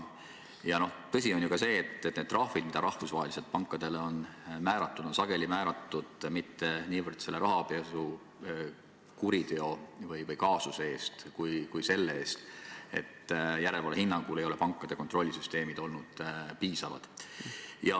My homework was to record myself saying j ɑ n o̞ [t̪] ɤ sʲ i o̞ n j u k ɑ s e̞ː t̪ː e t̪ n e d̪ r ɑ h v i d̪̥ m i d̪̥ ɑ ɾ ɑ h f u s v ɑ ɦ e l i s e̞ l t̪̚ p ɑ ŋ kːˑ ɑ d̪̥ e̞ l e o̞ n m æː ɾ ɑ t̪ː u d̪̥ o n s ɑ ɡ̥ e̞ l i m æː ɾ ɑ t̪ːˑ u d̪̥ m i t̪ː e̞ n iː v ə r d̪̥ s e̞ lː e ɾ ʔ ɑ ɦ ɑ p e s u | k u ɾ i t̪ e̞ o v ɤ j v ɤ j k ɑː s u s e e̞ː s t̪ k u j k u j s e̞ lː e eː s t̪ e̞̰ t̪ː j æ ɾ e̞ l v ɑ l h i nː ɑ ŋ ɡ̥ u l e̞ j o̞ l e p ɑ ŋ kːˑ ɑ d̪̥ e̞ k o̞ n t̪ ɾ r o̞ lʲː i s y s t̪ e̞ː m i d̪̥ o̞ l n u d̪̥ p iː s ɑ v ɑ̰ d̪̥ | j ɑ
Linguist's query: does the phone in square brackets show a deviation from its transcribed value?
no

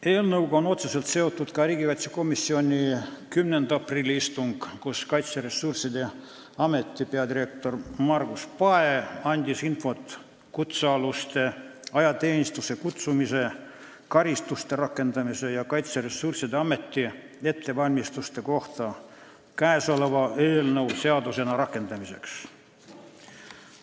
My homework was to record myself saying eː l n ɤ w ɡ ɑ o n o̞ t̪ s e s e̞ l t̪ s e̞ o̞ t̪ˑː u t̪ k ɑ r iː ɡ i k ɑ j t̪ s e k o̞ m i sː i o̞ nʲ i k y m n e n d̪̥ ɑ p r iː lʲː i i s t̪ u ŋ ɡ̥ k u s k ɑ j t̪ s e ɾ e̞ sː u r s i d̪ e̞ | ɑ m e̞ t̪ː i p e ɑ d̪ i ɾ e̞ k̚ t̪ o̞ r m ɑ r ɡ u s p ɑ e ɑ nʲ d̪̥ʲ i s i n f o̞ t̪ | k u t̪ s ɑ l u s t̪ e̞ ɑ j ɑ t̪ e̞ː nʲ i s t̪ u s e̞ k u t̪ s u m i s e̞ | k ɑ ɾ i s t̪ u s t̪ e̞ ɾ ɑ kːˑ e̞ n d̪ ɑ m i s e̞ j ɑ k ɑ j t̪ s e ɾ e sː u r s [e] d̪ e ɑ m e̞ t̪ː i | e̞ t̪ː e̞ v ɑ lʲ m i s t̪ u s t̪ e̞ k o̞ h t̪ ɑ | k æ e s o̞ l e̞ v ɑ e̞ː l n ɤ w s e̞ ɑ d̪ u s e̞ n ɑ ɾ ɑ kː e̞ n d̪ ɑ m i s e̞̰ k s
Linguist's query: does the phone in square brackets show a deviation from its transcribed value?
yes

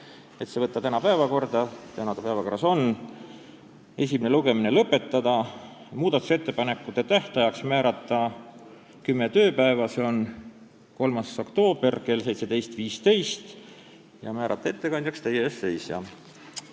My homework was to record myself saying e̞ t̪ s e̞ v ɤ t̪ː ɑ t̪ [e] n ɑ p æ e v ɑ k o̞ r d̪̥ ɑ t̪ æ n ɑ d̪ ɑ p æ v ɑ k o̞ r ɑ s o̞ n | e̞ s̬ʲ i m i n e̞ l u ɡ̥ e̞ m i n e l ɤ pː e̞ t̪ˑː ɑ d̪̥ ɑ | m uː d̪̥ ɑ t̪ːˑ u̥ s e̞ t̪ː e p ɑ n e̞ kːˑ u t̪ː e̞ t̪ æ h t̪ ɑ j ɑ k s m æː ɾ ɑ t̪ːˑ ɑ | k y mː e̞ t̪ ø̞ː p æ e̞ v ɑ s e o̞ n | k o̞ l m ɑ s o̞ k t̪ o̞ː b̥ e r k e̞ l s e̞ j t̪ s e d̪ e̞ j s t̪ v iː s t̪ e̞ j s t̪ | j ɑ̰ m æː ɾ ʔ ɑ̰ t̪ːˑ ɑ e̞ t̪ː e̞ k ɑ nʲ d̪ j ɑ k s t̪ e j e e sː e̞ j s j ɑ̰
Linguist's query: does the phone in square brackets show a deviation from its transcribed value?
yes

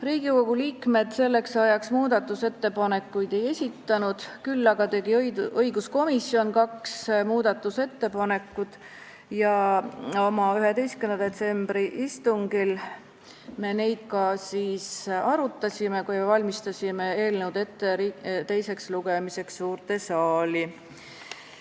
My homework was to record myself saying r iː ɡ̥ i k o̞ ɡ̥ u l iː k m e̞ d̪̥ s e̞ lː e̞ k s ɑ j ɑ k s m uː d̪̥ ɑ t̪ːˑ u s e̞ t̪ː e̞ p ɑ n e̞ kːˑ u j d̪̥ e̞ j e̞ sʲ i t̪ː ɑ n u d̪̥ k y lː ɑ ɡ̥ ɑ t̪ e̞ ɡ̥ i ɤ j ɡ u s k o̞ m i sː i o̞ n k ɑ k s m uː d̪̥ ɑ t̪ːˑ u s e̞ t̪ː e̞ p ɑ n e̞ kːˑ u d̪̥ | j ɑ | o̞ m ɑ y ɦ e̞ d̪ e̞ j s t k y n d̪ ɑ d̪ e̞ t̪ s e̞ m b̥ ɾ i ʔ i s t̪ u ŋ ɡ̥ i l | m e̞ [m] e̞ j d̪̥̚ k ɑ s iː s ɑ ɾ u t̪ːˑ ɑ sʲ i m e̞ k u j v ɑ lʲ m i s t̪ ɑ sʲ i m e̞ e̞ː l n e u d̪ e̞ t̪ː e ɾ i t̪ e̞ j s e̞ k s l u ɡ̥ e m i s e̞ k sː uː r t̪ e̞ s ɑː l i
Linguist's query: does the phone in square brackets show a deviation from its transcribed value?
yes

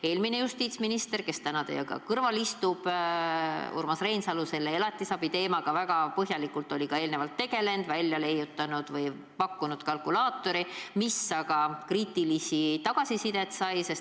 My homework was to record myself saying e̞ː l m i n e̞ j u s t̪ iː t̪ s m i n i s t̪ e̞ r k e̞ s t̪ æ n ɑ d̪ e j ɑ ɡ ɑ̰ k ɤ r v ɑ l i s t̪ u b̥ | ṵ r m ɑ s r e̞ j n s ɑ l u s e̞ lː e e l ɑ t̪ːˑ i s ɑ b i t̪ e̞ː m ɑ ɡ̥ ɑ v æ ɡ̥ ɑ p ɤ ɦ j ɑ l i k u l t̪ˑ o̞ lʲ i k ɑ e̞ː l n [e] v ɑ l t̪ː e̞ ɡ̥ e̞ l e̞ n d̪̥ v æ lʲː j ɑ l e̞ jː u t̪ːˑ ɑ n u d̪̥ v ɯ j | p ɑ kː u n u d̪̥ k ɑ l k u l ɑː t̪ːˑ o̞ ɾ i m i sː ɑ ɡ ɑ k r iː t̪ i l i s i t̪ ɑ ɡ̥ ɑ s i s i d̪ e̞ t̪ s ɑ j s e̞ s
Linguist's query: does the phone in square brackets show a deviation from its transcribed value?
no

